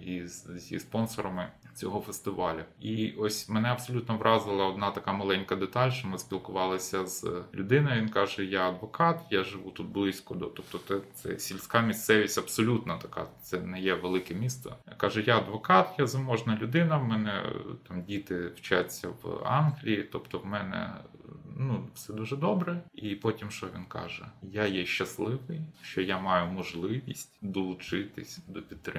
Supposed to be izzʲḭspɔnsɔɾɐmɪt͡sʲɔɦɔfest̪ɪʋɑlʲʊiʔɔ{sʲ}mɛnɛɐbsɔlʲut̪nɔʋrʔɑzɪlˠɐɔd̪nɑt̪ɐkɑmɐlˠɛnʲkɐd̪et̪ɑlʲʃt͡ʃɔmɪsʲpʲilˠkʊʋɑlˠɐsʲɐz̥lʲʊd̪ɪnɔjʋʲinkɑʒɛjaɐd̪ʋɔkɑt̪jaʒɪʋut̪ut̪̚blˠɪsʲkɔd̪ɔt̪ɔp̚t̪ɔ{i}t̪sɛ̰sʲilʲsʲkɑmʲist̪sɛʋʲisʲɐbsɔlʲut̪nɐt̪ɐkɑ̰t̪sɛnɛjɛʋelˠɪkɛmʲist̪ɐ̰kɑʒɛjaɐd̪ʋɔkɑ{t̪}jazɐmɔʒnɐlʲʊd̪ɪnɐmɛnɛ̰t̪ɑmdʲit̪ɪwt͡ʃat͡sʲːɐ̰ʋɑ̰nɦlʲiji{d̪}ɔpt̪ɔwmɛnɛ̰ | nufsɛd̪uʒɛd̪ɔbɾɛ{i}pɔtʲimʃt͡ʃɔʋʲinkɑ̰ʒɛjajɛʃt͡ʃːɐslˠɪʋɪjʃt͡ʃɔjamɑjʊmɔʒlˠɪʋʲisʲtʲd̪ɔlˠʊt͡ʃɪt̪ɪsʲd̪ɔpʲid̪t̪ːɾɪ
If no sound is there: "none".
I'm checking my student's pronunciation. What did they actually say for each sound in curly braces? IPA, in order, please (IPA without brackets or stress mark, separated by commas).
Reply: sʲ, ɛ, t̪, t̪, i